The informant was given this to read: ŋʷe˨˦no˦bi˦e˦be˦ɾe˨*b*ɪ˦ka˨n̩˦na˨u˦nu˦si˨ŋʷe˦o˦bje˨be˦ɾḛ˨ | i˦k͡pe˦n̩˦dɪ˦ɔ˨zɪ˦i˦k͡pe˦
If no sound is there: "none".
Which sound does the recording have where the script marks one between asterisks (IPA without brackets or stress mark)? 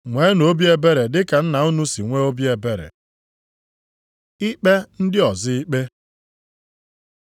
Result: d